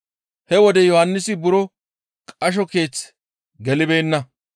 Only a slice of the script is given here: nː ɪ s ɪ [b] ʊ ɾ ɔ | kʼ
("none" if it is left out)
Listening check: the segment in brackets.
b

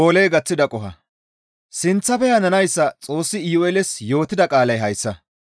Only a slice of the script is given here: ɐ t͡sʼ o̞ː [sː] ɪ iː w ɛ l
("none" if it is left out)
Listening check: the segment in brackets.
sː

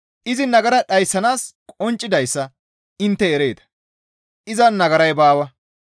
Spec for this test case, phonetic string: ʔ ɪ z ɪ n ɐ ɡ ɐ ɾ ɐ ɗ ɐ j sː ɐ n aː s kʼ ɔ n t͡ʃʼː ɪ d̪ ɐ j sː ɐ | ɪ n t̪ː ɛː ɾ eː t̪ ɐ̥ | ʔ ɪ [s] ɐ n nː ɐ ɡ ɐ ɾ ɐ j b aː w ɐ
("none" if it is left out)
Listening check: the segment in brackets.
z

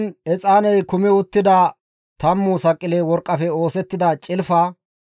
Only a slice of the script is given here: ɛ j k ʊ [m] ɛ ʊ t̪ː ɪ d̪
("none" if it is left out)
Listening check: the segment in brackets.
m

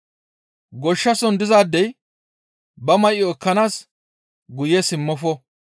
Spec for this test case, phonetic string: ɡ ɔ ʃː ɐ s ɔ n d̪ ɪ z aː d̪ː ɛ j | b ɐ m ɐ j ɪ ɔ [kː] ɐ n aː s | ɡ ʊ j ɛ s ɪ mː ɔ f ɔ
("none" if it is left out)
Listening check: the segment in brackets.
kː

